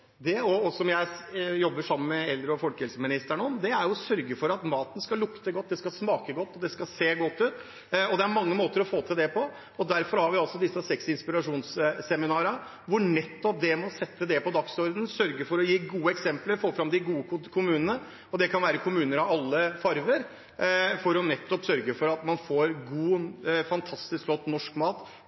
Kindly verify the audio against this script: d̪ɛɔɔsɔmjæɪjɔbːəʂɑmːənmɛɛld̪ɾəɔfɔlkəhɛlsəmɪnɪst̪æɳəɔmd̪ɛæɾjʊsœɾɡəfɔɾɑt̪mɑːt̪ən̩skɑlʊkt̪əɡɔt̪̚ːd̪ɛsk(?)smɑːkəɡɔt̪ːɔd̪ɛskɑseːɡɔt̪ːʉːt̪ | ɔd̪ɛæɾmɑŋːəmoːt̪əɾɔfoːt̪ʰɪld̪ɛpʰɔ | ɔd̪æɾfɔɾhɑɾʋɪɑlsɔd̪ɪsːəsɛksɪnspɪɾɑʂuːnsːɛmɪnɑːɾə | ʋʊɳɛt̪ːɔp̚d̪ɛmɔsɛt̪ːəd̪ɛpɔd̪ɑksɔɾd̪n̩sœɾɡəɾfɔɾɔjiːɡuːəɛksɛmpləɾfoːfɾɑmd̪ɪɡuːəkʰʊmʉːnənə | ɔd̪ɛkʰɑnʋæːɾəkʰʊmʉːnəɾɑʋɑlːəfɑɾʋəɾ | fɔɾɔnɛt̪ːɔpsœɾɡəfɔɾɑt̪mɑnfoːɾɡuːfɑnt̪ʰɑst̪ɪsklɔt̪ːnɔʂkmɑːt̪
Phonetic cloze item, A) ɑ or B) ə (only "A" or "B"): A